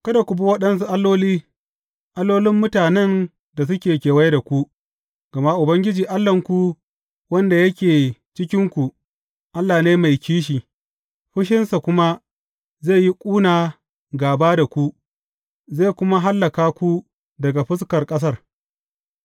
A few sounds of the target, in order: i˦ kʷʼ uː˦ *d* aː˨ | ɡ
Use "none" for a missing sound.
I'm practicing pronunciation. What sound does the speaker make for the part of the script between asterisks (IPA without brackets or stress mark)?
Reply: n